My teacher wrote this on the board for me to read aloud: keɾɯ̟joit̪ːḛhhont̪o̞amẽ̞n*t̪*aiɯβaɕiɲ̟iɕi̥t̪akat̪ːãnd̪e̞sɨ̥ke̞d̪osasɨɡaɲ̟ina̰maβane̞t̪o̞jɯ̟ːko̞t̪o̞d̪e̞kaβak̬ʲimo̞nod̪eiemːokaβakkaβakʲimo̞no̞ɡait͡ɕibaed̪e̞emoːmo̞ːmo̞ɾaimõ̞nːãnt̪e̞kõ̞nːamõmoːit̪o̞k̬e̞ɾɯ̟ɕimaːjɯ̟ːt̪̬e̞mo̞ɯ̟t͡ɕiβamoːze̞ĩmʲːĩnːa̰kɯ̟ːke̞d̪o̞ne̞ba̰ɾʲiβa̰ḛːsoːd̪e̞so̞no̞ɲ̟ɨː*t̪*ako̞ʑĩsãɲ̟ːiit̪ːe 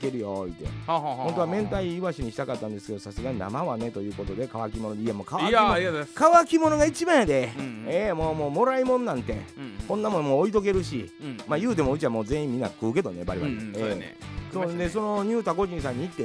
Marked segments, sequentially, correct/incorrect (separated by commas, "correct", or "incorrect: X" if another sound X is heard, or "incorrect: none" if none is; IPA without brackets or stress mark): correct, correct